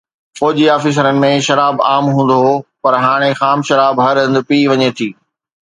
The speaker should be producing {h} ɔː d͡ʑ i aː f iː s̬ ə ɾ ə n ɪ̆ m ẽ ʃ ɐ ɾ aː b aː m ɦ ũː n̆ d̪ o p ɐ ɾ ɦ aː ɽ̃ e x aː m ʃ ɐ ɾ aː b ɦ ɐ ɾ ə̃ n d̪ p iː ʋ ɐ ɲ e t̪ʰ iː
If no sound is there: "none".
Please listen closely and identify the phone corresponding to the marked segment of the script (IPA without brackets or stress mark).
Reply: f